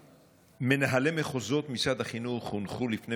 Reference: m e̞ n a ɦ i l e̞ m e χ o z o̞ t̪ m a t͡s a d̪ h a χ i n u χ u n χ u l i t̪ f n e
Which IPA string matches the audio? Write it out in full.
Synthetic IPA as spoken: m e̞ n a ɦ a l e̞ m e χ o z o̞ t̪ m i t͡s a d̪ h a χ i n u χ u n χ u l i f n e